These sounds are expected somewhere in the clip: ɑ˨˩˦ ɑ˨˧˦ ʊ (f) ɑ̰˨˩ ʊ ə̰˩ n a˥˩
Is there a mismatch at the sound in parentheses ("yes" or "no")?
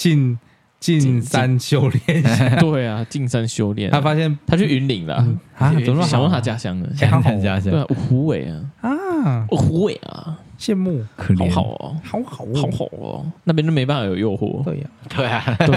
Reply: yes